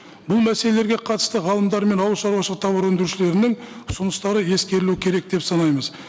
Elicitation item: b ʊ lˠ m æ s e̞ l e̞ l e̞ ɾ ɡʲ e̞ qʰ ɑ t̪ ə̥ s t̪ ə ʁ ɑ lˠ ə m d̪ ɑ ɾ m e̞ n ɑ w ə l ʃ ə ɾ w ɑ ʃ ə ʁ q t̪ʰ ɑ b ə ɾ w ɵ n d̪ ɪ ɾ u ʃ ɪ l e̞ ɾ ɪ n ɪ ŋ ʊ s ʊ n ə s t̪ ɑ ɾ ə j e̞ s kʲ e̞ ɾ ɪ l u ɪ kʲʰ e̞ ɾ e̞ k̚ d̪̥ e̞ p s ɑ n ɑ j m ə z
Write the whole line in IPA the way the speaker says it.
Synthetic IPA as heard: b ʊ lˠ m æ s e̞ l e̞ l e̞ ɾ ɡʲ e̞ qʰ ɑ t̪ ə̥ s t̪ ə ʁ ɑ lˠ ə m d̪ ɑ ɾ m e̞ n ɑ w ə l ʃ ɑ ɾ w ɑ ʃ ə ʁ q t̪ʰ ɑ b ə ɾ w ɵ n d̪ ɪ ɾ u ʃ ɪ l e̞ ɾ ɪ n ɪ ŋ ʊ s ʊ n ə s t̪ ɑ ɾ ə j e̞ s kʲ e̞ ɾ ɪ l u ɪ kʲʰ e̞ ɾ e̞ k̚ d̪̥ e̞ p s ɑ n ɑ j m ə z